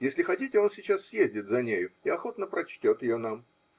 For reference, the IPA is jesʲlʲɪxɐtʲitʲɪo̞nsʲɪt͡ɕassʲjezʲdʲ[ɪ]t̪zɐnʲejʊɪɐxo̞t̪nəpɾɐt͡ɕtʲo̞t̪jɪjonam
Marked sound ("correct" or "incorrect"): correct